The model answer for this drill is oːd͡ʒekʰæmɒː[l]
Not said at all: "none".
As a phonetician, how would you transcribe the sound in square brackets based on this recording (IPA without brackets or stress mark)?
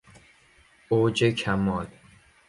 l